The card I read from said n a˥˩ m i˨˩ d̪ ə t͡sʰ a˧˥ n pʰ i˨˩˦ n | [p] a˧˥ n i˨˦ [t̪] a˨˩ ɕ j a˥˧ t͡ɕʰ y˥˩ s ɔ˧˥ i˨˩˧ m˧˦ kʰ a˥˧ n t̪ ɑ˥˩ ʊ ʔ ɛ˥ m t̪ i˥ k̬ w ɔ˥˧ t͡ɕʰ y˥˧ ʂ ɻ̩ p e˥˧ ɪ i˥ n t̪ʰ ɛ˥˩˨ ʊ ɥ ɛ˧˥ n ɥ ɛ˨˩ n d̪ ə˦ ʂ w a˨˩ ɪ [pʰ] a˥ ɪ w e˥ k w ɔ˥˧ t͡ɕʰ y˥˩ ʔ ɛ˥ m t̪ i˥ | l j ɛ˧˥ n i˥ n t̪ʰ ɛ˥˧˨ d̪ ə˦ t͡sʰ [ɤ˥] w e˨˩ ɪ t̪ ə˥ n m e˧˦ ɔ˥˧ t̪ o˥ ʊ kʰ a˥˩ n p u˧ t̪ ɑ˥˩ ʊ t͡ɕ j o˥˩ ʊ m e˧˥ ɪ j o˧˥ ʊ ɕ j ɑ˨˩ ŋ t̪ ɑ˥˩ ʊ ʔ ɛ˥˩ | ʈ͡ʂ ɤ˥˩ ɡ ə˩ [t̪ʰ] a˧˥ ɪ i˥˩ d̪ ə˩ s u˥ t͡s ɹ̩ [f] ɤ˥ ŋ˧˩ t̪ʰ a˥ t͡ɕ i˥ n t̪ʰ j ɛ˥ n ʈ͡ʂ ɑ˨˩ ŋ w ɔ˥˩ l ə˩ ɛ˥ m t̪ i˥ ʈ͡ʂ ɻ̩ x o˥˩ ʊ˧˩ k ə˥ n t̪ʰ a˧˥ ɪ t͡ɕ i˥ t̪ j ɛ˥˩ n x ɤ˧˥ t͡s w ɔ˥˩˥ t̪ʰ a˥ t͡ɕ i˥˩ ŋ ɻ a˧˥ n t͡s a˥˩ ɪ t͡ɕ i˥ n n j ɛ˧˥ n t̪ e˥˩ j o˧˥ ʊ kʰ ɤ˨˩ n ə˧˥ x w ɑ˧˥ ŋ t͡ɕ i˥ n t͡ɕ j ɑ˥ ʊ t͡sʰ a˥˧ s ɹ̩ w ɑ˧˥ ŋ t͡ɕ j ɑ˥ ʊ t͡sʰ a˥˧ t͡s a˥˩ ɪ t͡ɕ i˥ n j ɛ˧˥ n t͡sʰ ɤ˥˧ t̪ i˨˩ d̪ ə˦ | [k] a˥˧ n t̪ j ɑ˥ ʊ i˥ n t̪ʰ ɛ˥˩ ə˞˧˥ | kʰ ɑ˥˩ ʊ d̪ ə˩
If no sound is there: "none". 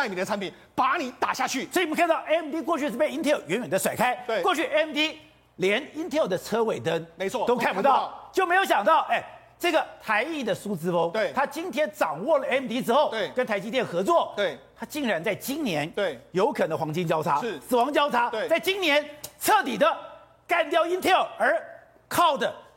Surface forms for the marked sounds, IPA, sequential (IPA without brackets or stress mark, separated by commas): p, t̪, kʰ, ɤ˥, t̪ʰ, f, k